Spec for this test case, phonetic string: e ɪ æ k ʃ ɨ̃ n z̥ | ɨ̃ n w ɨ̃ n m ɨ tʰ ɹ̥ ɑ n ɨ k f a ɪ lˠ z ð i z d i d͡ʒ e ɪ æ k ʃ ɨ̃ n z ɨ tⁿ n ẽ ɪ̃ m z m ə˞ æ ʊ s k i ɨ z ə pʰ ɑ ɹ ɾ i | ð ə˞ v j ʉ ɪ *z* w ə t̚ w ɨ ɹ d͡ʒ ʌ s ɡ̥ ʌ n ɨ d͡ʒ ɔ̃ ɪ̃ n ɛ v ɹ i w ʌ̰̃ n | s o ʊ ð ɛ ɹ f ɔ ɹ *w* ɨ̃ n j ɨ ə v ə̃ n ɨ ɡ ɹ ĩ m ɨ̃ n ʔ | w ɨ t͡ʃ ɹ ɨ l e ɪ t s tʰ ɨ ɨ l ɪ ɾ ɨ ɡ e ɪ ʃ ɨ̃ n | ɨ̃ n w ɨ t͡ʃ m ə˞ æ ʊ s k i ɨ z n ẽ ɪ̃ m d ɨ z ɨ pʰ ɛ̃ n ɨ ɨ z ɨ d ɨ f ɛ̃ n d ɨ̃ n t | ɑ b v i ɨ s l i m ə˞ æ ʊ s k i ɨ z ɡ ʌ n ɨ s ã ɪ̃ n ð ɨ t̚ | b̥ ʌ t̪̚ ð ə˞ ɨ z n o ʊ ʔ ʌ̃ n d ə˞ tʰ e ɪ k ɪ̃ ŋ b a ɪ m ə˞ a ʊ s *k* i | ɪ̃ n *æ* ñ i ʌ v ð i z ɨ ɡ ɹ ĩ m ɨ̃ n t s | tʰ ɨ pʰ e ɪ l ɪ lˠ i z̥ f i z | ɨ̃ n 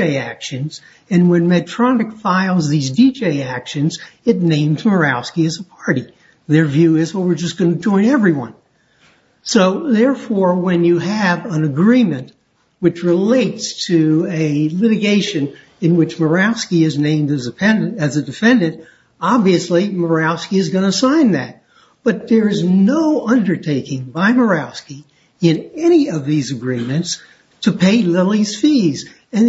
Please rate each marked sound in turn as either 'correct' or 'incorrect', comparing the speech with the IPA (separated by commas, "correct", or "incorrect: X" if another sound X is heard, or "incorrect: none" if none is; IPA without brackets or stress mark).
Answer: correct, correct, correct, incorrect: ɛ